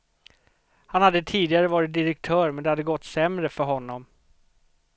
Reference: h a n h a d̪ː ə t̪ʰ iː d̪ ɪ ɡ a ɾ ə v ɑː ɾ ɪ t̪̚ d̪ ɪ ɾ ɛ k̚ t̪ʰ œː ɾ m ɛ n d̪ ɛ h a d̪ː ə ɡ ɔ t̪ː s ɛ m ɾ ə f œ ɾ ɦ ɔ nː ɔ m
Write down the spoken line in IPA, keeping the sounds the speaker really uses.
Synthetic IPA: h a n h a d̪ː ə t̪ʰ iː d̪ ɪ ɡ a ɾ ə v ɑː ɾ ɪ t̪̚ d̪ ɪ ɾ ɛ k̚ t̪ʰ œː ɾ m ɛ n d̪ ɛ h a d̪ː ə ɡ ɔ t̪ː s ɛ m ɾ ə f œ ɾ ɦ ɔ nː ɔ m